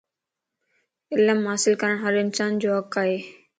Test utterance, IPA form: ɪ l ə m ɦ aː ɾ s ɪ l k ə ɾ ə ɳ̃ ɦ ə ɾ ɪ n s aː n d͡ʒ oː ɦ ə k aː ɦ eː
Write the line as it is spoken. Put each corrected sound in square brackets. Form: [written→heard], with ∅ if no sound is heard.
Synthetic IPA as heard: ɪ l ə m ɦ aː [ɾ→∅] s ɪ l k ə ɾ ə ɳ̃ ɦ ə ɾ ɪ n s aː n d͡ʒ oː ɦ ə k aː ɦ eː